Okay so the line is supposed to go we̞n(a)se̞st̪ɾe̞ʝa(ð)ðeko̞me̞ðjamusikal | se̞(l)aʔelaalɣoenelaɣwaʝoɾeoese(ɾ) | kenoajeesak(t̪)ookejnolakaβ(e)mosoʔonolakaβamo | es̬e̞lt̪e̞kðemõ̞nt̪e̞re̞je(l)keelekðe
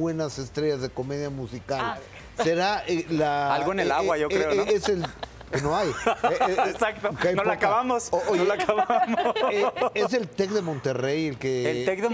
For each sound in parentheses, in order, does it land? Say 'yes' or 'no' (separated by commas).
yes, no, no, no, yes, no, yes